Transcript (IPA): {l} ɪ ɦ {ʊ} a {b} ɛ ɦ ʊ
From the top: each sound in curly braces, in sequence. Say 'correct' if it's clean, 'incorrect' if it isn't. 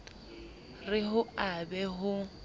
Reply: incorrect: r, correct, correct

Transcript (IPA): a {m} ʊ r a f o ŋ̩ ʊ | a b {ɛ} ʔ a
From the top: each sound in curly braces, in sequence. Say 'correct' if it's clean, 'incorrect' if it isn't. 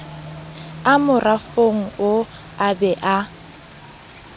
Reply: correct, correct

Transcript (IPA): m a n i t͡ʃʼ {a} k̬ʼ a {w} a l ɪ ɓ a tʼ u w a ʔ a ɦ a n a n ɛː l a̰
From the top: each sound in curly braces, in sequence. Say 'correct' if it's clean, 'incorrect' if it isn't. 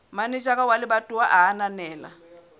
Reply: correct, correct

